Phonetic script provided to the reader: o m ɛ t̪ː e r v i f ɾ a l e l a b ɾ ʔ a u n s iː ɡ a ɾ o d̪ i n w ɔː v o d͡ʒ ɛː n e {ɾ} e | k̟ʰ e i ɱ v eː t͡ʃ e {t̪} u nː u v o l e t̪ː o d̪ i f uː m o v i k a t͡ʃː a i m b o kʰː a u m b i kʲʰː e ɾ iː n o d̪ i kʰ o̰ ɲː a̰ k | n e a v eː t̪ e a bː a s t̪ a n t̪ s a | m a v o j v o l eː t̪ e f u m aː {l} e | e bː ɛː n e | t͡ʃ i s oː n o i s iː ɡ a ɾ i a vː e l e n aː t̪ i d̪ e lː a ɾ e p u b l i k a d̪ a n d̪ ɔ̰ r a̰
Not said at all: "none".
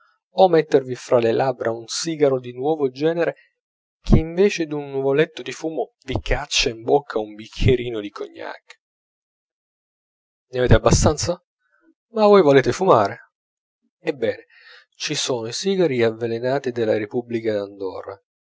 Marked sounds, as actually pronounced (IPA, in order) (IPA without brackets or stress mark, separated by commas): ɾ, d̪, ɾ